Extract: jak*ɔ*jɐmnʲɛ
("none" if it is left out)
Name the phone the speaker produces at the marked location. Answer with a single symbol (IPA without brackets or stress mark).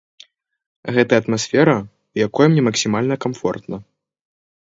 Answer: ɔ